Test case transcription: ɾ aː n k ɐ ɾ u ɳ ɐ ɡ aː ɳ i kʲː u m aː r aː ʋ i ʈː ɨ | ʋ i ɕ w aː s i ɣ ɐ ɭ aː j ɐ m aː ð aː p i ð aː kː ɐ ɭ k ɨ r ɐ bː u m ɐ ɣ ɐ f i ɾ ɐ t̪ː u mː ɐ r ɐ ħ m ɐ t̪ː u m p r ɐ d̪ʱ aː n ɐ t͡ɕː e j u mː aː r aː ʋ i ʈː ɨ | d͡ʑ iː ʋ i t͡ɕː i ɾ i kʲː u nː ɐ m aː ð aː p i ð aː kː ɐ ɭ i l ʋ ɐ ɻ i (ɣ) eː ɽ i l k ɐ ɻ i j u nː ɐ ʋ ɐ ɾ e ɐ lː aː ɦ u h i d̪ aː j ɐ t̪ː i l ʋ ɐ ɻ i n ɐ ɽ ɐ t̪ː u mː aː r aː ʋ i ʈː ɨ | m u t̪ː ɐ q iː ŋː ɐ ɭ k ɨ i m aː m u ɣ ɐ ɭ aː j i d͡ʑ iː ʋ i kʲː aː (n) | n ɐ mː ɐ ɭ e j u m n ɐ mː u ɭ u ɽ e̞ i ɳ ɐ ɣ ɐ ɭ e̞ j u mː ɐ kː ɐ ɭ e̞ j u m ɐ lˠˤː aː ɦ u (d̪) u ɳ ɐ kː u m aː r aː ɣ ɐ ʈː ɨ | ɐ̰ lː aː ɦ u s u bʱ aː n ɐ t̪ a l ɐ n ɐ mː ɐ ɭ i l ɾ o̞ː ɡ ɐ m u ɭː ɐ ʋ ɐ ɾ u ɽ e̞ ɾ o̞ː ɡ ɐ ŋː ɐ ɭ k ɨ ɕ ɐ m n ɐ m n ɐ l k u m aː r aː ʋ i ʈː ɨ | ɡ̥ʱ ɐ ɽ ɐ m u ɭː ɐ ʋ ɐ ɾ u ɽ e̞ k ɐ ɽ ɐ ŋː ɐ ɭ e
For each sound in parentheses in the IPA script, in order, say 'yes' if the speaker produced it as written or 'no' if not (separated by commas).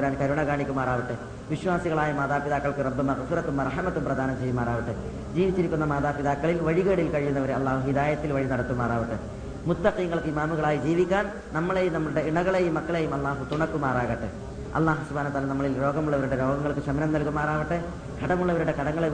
yes, yes, no